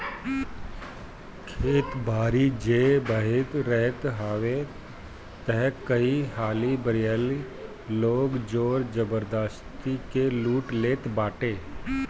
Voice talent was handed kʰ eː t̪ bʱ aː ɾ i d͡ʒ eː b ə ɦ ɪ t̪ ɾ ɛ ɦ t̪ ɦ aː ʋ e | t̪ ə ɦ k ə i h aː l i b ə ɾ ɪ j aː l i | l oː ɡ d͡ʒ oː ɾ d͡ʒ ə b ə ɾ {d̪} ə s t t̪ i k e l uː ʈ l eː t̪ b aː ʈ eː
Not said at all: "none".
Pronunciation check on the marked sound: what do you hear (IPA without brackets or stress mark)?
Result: d̪